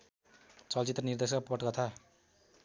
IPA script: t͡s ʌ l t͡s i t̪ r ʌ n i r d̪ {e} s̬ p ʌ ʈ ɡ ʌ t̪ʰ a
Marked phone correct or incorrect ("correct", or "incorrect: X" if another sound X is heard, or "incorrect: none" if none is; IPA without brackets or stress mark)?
correct